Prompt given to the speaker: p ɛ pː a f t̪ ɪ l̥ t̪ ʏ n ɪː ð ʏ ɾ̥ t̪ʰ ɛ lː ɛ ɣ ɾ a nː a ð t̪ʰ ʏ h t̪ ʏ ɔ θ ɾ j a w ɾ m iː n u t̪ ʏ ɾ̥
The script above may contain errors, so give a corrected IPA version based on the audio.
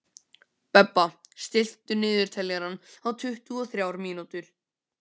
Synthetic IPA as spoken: p ɛ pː a s t̪ ɪ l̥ t̪ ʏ n ɪː ð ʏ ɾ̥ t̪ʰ ɛ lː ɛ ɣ ɾ a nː a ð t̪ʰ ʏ h t̪ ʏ ɔ θ ɾ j a w ɾ m iː n u t̪ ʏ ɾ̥